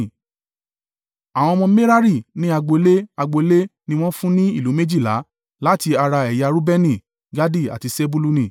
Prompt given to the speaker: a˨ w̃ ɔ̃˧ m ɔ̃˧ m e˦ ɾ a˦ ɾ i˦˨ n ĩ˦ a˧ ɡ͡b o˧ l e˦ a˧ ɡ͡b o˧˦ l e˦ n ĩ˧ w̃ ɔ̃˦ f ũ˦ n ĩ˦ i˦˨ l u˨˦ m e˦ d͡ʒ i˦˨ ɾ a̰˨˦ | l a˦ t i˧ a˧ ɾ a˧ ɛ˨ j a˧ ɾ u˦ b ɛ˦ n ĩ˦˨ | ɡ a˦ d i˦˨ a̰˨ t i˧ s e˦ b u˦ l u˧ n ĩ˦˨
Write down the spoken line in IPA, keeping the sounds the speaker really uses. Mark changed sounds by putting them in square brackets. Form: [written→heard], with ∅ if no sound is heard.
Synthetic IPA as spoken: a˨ w̃ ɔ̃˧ m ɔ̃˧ m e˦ ɾ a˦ ɾ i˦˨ n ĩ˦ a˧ ɡ͡b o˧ l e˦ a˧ ɡ͡b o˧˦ l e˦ n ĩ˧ w̃ ɔ̃˦ f ũ˦ n ĩ˦ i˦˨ l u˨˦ m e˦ d͡ʒ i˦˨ [ɾ→l] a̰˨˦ | l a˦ t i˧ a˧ ɾ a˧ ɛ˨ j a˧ ɾ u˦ b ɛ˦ n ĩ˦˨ | ɡ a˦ d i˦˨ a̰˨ t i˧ s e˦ b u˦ l u˧ n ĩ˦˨

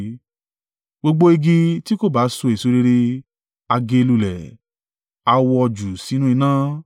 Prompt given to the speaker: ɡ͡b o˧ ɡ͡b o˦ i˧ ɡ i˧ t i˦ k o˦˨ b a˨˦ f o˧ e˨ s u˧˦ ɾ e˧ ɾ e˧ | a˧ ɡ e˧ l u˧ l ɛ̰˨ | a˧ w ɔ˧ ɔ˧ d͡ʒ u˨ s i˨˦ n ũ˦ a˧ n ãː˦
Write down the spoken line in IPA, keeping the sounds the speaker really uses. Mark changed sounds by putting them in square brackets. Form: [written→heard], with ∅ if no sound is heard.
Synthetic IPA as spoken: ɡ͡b o˧ ɡ͡b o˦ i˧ ɡ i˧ t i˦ k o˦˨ b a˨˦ [f→s] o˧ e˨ s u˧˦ ɾ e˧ ɾ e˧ | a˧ ɡ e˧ l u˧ l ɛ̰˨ | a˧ w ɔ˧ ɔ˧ d͡ʒ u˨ s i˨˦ n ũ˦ [a˧→i˧] n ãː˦

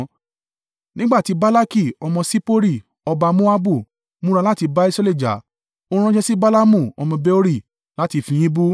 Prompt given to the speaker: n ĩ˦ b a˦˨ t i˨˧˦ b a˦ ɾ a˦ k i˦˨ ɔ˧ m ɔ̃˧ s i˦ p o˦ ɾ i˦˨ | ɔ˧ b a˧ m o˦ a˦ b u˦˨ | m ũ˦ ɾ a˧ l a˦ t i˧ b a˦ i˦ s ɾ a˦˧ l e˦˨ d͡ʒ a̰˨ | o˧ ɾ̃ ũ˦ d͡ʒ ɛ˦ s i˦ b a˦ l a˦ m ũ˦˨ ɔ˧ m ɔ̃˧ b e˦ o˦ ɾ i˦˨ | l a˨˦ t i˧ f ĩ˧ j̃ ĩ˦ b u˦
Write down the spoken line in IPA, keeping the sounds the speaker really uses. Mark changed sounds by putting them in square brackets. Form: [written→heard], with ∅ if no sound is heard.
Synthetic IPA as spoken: n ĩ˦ [b→ɡ͡b] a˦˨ t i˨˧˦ b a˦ [ɾ→l] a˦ k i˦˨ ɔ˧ m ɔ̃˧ s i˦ p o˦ ɾ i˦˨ | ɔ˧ b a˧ m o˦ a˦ b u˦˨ | m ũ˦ ɾ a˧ l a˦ t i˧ b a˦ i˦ s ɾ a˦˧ l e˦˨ d͡ʒ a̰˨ | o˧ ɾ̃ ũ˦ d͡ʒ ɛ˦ s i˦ b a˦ l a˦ m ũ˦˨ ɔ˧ m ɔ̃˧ b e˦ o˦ ɾ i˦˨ | l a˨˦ t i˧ f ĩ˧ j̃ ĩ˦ b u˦

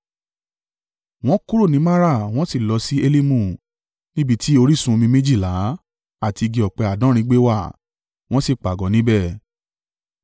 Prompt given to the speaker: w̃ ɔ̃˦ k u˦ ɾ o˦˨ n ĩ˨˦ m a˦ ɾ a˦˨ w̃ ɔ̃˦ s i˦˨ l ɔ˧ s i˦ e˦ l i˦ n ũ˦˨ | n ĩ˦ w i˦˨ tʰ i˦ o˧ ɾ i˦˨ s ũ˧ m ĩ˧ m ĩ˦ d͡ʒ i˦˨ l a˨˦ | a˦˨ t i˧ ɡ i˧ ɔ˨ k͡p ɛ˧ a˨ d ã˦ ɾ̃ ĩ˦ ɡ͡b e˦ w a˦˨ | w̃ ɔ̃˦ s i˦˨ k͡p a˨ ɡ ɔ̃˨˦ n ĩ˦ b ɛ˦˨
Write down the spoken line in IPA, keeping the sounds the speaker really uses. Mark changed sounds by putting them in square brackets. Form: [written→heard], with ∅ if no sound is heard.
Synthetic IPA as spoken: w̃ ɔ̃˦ k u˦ ɾ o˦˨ n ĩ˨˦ m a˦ ɾ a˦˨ w̃ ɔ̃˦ s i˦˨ l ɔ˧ s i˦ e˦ l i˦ [n→m] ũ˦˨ | n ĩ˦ [w→b] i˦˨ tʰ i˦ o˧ ɾ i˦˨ s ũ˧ m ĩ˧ m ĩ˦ d͡ʒ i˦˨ l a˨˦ | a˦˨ t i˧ ɡ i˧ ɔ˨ k͡p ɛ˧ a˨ d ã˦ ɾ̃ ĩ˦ ɡ͡b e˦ w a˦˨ | w̃ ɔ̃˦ s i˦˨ k͡p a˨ ɡ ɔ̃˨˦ n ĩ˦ b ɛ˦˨

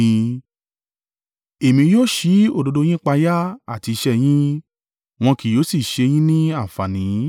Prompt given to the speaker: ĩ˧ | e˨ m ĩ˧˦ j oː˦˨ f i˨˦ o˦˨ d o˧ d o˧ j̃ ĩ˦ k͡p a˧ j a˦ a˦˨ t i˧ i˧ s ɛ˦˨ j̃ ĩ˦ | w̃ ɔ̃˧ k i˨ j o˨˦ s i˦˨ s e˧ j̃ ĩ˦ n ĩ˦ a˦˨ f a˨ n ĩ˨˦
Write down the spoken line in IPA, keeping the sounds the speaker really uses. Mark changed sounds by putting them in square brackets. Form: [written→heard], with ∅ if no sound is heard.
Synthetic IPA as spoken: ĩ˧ | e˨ m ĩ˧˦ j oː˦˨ [f→ʃ] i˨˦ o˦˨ d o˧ d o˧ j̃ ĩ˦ k͡p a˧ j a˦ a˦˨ t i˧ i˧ [s→ʃ] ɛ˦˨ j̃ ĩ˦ | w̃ ɔ̃˧ k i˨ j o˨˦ s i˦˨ [s→ʃ] e˧ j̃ ĩ˦ n ĩ˦ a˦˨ f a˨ n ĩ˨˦

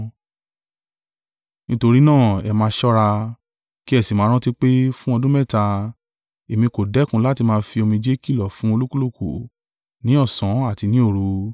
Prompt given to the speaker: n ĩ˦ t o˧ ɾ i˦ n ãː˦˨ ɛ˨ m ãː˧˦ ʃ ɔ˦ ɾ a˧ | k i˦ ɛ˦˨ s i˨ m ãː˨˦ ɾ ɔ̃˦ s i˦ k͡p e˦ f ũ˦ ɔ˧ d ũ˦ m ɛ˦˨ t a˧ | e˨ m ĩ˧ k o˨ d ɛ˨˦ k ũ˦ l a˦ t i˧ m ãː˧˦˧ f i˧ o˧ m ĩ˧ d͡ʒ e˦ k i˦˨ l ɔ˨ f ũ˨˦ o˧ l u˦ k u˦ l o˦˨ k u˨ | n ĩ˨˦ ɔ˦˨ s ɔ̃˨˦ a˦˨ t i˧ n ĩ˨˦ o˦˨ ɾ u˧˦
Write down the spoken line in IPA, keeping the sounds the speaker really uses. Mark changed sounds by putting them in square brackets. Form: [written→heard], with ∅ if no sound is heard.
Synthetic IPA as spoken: n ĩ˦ t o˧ ɾ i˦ n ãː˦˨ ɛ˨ m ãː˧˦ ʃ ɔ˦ ɾ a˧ | k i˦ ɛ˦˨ s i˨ m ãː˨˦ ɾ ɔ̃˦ [s→t] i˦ k͡p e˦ f ũ˦ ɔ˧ d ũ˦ m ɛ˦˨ t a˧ | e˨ m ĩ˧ k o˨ d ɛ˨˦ k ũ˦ l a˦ t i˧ m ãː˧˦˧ f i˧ o˧ m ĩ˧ d͡ʒ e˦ k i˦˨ l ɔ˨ f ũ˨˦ o˧ l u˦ k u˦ l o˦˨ k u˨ | n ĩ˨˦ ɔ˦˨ s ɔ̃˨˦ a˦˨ t i˧ n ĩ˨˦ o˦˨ ɾ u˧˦

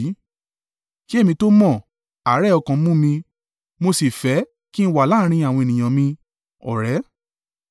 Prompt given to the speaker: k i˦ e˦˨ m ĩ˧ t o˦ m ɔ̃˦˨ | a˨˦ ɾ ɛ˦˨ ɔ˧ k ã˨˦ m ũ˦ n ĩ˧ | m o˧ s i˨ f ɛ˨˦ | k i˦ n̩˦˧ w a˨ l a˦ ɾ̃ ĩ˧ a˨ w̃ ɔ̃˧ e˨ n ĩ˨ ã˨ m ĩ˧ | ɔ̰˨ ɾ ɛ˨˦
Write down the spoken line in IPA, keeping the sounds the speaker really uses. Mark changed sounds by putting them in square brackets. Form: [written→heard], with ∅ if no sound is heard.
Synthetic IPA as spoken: k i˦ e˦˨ m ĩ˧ t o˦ m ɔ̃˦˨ | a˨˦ ɾ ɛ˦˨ ɔ˧ k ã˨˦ m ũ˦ [n→m] ĩ˧ | m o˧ s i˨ f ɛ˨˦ | k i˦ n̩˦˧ w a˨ l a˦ ɾ̃ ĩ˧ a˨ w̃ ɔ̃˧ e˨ n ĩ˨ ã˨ m ĩ˧ | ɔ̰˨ ɾ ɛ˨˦

